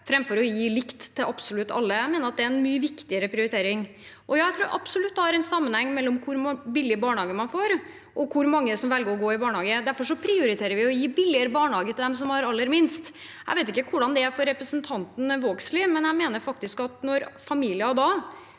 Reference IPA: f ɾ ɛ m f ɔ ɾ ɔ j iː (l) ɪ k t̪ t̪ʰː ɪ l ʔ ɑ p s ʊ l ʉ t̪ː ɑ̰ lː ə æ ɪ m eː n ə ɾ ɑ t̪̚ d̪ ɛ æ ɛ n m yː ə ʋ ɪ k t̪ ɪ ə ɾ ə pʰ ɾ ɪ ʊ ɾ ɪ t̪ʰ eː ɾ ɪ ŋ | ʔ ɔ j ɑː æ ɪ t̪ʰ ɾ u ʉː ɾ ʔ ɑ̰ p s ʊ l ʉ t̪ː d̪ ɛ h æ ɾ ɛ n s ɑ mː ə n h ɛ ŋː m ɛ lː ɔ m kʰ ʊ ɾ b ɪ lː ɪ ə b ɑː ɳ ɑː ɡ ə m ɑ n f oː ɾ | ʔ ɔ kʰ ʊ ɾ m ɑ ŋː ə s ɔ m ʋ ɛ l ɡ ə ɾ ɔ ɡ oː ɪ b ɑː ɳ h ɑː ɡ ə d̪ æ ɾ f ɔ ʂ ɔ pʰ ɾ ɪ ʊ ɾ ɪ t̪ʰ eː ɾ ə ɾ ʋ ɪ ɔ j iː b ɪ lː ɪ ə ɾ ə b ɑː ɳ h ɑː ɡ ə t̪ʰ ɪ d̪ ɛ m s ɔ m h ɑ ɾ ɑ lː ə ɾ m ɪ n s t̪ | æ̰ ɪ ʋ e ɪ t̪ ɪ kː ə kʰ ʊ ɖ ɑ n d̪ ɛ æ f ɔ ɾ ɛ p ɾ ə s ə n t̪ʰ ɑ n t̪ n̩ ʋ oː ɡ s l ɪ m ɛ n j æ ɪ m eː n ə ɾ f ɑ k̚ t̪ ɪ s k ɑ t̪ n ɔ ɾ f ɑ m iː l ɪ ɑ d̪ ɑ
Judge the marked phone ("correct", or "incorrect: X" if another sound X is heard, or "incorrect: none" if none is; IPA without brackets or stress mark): correct